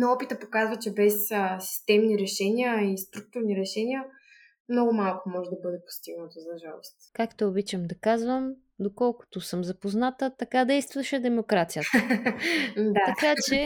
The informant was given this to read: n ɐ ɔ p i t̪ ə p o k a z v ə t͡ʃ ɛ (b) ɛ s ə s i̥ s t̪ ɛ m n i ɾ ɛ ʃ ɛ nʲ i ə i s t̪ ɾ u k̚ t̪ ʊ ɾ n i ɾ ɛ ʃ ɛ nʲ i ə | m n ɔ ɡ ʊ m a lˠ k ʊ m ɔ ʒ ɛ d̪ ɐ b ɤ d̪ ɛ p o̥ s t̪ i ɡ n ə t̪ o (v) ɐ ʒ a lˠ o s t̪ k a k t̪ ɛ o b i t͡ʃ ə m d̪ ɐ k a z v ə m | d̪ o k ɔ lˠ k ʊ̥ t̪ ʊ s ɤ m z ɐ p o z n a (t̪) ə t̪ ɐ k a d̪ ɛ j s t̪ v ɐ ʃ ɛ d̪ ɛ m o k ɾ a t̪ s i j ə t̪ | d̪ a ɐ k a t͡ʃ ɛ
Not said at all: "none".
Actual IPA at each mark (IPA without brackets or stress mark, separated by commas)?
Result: b, z, t̪